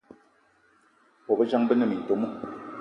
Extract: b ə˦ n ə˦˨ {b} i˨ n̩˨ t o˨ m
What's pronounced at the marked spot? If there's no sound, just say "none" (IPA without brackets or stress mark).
m